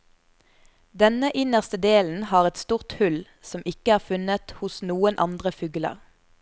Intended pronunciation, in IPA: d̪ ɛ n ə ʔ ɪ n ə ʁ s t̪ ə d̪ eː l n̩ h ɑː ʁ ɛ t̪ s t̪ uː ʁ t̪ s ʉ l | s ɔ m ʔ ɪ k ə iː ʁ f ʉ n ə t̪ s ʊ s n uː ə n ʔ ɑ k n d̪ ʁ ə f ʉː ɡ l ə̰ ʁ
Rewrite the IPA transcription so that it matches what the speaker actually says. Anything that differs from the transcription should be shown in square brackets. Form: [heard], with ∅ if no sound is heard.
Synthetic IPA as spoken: d̪ ɛ n ə ʔ ɪ n ə ʁ s t̪ ə d̪ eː l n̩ h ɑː ʁ ɛ t̪ s t̪ uː ʁ t̪ [h] ʉ l | s ɔ m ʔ ɪ k ə [æː] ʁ f ʉ n ə t̪ [h] ʊ s n uː ə n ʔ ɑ [∅] n d̪ ʁ ə f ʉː ɡ l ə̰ ʁ